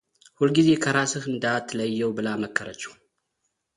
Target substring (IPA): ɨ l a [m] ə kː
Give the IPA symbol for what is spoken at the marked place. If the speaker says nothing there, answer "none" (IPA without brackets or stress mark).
m